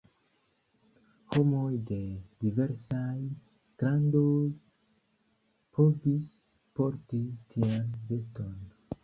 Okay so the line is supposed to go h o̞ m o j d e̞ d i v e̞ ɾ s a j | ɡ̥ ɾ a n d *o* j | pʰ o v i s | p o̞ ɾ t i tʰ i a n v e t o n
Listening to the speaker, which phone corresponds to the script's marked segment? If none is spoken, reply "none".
o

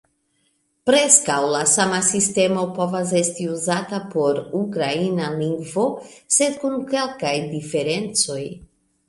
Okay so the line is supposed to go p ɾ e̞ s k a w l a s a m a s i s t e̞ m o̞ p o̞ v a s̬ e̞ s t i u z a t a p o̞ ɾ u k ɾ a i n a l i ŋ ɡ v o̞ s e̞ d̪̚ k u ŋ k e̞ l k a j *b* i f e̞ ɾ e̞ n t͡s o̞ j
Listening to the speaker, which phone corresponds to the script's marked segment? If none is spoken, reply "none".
d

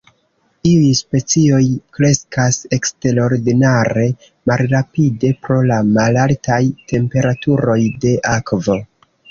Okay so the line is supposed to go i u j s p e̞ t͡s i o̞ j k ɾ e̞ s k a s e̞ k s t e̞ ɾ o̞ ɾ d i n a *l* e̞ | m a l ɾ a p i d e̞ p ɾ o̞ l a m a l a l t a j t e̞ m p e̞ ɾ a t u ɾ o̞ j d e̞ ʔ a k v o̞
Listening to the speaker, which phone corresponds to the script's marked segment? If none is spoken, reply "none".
ɾ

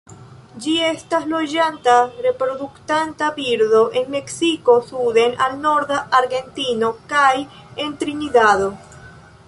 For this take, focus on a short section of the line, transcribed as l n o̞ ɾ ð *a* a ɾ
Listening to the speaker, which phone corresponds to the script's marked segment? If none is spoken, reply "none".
a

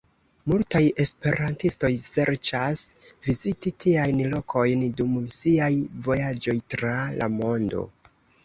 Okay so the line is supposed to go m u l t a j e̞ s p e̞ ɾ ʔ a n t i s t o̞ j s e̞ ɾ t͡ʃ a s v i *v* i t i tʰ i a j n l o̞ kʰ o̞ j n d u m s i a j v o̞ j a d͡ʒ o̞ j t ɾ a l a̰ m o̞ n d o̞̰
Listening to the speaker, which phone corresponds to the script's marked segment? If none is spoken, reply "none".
z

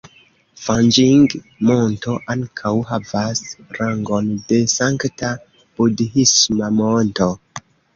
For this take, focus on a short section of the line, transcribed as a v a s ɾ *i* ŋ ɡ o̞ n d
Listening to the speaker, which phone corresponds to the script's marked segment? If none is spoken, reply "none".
a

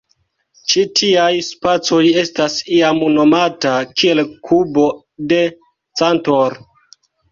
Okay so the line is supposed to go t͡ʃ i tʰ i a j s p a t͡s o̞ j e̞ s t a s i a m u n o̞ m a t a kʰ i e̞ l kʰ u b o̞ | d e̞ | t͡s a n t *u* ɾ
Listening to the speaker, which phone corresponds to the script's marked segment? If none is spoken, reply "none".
o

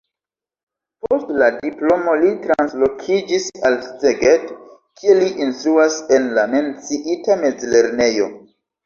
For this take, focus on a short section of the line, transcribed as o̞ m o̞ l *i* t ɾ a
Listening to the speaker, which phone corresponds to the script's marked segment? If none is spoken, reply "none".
i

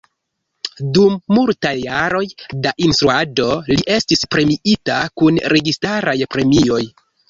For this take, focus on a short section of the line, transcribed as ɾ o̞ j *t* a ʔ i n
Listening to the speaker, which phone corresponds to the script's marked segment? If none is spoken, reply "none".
d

